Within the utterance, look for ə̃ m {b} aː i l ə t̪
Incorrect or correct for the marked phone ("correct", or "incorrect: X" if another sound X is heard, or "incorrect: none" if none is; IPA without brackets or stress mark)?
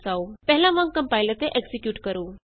incorrect: p